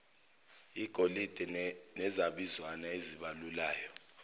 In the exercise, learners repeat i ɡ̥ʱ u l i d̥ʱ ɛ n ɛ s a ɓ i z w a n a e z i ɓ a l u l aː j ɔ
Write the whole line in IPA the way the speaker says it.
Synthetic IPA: i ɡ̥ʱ o l i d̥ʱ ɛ n ɛ z a ɓ i z w a n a e z i ɓ a l u l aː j ɔ